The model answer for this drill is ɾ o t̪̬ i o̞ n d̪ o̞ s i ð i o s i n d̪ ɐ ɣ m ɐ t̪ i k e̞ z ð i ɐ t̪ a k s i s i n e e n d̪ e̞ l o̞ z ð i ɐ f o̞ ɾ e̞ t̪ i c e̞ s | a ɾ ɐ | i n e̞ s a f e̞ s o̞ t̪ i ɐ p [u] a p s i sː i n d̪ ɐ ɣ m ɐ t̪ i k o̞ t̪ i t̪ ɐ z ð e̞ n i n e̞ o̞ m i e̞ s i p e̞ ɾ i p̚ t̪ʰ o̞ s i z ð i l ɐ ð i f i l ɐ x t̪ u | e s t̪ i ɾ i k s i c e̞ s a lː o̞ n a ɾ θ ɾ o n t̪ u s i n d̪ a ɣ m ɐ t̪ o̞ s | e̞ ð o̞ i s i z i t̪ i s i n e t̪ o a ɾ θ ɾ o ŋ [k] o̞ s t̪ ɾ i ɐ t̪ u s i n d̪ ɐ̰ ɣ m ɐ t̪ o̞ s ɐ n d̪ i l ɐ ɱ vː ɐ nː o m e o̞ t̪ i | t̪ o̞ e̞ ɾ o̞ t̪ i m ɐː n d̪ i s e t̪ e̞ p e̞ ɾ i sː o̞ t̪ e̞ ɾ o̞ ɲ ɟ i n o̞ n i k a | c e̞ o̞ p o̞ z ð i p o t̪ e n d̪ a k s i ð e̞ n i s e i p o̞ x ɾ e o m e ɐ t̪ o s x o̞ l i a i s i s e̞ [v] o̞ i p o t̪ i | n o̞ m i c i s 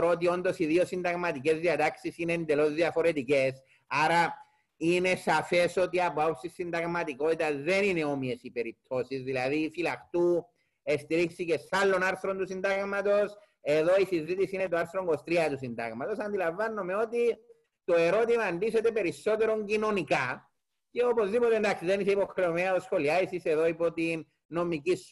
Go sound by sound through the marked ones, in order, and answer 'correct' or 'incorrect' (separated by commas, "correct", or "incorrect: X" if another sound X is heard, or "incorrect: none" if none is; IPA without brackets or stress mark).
incorrect: o, incorrect: ɡ, incorrect: ð